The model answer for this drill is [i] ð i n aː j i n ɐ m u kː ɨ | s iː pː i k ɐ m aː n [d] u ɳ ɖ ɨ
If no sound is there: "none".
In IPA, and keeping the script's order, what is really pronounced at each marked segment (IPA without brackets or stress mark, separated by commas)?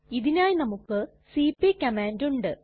i, d